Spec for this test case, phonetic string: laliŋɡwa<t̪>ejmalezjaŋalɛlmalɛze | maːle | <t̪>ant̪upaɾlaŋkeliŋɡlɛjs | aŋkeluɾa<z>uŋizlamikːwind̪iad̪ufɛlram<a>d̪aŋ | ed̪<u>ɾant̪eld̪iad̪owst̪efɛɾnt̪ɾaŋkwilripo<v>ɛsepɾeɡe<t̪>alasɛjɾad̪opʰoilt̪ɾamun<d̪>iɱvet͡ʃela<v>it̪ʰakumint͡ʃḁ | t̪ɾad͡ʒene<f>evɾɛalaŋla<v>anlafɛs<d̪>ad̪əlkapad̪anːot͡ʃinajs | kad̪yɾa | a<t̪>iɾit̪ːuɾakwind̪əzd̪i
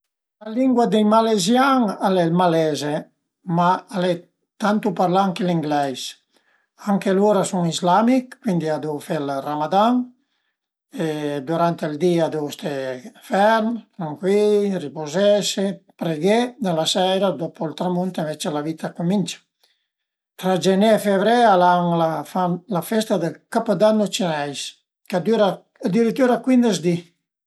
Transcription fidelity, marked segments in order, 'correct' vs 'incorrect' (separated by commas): incorrect, correct, incorrect, correct, correct, incorrect, incorrect, incorrect, correct, correct, incorrect, incorrect, incorrect